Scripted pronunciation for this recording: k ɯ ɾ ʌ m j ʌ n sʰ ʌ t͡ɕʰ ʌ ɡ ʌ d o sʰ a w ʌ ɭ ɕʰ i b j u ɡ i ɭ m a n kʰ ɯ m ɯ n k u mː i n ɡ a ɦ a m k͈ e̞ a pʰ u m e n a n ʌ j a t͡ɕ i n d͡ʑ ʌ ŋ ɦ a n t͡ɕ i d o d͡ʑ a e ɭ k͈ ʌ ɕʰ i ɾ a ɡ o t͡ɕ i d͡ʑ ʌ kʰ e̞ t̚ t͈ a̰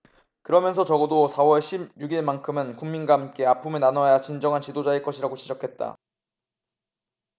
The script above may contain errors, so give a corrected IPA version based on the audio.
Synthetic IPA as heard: k ɯ ɾ ʌ m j ʌ n sʰ ʌ t͡ɕ ʌ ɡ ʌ d o sʰ a w ʌ ɭ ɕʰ i b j u ɡ i ɭ m a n kʰ ɯ m ɯ n k u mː i n ɡ a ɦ a m k͈ e̞ a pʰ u m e n a n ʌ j a t͡ɕ i n d͡ʑ ʌ ŋ ɦ a n t͡ɕ i d o d͡ʑ a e ɭ k͈ ʌ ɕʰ i ɾ a ɡ o t͡ɕ i d͡ʑ ʌ kʰ e̞ t̚ t͈ a̰